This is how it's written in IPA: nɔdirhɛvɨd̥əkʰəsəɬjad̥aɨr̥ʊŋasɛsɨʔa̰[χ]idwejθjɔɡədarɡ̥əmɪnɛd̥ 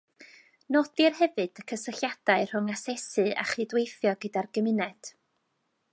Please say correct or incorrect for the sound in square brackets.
correct